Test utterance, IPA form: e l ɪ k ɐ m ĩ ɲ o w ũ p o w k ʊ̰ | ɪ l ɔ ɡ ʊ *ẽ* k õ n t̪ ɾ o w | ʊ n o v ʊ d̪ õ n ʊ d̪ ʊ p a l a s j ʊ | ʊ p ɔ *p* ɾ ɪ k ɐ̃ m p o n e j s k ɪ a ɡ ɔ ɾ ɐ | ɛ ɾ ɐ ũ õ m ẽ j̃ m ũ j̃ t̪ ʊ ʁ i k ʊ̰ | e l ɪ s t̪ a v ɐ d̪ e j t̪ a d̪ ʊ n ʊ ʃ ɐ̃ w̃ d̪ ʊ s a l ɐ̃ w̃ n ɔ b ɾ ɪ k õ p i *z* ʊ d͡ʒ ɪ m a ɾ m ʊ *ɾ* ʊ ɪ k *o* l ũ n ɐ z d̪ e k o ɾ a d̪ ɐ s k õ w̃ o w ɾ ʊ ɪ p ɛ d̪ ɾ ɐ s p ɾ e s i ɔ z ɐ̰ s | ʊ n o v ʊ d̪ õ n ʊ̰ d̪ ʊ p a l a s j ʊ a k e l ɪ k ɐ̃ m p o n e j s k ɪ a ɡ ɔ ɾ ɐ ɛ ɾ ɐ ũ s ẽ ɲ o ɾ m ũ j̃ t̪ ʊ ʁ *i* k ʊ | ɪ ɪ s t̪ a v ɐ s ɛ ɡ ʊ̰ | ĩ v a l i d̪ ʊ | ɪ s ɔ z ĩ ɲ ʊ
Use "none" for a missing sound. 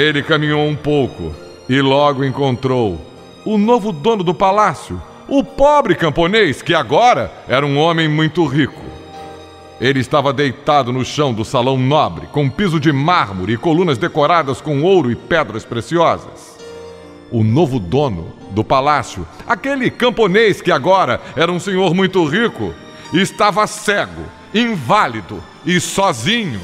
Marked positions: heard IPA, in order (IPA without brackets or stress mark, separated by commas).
ẽ, b, z, ɾ, o, i